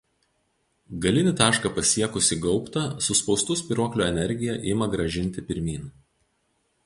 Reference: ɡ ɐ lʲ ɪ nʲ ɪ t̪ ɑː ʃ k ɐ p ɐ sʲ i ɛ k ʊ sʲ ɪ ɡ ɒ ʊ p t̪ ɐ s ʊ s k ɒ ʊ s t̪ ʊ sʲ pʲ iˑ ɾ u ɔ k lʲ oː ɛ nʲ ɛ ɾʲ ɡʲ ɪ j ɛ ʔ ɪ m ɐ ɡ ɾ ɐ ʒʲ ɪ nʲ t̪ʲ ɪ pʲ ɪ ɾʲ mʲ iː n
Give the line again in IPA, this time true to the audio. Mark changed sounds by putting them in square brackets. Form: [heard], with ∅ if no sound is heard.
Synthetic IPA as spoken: ɡ ɐ lʲ ɪ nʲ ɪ t̪ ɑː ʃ k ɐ p ɐ sʲ i ɛ k ʊ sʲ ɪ ɡ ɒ ʊ p t̪ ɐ s ʊ s [p] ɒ ʊ s t̪ ʊ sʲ pʲ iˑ ɾ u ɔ k lʲ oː ɛ nʲ ɛ ɾʲ ɡʲ ɪ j ɛ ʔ ɪ m ɐ ɡ ɾ ɐ ʒʲ ɪ nʲ t̪ʲ ɪ pʲ ɪ ɾʲ mʲ iː n